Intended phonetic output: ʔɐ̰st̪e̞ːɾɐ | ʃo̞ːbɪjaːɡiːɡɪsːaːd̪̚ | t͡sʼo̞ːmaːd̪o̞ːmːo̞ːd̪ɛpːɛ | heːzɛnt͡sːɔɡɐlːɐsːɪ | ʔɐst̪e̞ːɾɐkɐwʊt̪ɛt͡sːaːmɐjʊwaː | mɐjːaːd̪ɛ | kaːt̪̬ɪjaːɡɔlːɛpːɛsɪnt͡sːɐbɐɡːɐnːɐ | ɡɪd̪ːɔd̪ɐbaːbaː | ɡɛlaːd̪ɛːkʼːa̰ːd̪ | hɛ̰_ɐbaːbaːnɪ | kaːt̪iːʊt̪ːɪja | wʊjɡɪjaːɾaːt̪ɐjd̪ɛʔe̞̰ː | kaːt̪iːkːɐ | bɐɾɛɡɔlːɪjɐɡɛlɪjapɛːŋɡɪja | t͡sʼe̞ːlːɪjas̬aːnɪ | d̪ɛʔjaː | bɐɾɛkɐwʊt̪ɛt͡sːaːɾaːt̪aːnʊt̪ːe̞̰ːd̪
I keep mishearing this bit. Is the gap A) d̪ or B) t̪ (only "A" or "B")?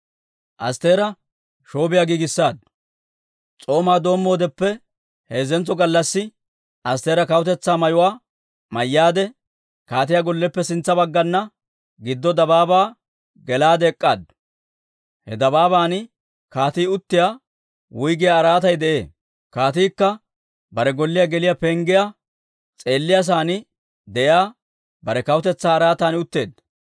A